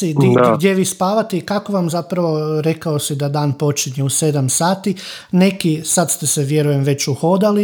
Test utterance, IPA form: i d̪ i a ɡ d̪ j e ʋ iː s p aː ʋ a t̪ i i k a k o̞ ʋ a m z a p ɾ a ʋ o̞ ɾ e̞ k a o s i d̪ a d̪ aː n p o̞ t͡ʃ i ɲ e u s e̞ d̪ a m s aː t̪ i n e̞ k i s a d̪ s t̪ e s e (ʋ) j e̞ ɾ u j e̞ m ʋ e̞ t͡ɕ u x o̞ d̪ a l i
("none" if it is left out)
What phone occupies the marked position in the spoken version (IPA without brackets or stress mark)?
ʋ